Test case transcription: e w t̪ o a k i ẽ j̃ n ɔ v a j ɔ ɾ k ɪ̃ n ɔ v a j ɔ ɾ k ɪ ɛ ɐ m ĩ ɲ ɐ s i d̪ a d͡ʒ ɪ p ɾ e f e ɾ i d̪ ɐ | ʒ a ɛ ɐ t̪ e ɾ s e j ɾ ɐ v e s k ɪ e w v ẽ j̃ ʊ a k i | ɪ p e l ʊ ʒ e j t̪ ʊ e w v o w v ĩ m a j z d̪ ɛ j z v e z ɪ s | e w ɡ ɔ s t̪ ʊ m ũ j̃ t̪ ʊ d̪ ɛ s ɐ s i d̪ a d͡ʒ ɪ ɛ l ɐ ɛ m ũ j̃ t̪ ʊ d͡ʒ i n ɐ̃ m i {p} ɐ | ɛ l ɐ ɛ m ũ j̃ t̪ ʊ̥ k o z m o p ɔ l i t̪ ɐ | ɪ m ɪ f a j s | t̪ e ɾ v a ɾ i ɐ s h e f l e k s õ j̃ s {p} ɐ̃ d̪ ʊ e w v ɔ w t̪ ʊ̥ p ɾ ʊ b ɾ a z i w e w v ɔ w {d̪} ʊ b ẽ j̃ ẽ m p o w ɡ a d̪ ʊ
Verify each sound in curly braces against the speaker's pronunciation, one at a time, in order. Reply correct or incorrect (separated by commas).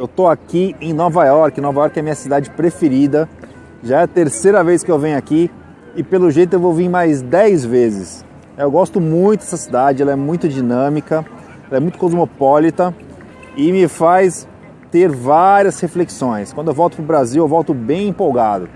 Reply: incorrect, incorrect, incorrect